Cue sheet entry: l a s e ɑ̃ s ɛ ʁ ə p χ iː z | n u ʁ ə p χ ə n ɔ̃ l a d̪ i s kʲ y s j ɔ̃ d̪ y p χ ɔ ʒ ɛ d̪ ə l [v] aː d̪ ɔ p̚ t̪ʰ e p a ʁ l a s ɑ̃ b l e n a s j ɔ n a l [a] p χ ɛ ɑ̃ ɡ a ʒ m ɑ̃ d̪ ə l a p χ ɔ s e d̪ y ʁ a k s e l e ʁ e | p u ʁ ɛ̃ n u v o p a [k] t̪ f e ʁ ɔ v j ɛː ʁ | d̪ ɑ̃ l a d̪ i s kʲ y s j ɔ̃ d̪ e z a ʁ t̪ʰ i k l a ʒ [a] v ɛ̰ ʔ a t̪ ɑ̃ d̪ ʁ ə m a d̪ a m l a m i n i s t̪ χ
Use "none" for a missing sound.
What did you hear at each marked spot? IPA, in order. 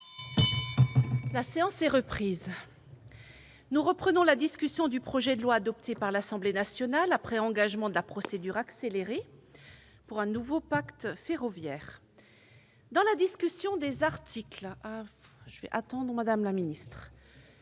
w, a, k, ə

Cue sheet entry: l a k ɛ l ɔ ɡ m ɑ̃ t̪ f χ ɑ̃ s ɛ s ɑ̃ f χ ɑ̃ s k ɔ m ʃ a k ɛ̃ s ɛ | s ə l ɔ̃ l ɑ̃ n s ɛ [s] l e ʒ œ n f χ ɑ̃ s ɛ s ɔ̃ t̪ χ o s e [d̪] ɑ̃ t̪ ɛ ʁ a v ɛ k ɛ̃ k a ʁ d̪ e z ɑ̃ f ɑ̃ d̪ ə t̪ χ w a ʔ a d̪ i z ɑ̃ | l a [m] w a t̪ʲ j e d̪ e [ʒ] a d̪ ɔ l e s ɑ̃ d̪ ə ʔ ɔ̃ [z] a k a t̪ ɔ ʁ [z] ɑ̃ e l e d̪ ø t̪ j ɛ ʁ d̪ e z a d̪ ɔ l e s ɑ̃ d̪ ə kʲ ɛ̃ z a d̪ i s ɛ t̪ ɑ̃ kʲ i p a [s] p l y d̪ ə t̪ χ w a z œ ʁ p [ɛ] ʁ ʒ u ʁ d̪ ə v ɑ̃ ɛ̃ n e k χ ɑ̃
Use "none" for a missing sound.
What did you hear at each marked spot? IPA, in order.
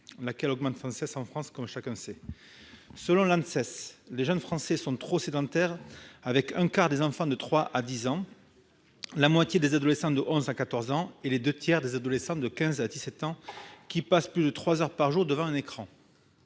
s, d̪, m, z, z, z, s, a

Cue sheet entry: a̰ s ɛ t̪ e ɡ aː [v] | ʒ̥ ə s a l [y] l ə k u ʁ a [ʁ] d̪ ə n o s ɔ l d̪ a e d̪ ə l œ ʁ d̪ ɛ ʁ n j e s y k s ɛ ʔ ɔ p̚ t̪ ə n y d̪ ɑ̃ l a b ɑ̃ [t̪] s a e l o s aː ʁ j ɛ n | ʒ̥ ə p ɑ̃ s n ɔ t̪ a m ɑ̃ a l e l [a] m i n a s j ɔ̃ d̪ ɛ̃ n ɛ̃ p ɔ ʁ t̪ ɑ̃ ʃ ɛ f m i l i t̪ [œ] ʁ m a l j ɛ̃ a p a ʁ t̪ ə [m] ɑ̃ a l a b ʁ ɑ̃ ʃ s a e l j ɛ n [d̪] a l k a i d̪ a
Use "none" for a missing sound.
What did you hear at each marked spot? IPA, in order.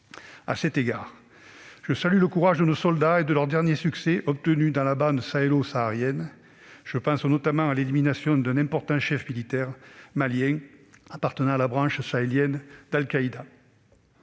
ʁ, y, ʒ, d̪, i, ɛ, n, d̪

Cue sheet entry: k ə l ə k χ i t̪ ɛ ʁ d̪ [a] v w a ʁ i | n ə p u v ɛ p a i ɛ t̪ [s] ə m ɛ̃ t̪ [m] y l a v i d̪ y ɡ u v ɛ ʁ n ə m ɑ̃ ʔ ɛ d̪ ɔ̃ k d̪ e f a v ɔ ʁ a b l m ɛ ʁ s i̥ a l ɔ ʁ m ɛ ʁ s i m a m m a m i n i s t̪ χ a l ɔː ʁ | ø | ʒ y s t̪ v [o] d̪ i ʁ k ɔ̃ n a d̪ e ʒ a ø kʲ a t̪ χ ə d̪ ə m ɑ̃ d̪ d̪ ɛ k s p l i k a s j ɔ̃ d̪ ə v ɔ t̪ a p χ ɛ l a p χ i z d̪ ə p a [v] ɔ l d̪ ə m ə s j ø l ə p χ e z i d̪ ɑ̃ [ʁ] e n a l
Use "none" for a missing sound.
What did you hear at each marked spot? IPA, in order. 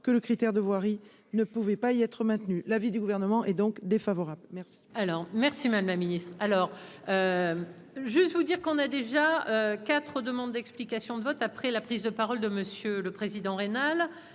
ə, χ, n, u, ʁ, ʁ

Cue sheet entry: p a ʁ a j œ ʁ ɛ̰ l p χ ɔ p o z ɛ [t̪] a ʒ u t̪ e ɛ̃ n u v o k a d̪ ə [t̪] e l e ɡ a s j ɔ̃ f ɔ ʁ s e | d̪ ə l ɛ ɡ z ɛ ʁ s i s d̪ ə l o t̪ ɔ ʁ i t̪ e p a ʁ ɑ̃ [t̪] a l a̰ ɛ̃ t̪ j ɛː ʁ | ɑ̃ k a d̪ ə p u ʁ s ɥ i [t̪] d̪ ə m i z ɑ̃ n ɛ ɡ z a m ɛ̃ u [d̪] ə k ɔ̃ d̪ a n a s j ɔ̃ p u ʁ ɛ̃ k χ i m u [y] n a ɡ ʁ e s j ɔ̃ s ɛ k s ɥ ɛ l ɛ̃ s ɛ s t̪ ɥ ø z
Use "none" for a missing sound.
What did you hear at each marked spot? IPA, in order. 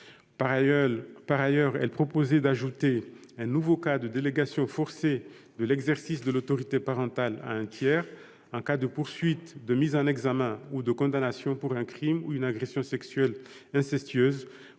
d̪, d̪, t̪, t̪, d̪, y

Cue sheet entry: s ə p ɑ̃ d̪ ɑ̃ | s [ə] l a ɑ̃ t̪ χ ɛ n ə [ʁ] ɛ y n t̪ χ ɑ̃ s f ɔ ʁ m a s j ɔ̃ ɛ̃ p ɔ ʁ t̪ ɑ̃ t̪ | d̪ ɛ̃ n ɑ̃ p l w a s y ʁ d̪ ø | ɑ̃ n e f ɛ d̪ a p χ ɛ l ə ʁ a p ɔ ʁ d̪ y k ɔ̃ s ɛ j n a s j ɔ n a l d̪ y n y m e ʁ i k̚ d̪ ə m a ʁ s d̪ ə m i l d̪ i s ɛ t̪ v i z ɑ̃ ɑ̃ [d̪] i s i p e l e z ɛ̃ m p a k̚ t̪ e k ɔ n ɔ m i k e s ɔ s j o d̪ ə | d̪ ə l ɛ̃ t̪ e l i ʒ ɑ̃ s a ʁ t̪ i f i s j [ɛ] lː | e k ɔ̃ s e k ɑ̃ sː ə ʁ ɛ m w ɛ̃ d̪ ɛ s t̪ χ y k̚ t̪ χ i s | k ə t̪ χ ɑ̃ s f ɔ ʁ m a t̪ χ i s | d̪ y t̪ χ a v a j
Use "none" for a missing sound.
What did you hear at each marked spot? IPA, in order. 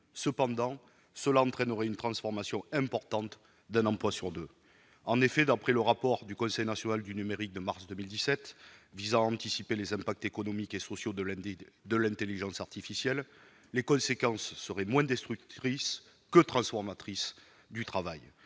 ə, ʁ, t̪, ɛ

